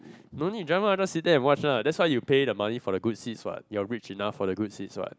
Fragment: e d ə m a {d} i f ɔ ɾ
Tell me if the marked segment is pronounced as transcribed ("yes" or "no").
no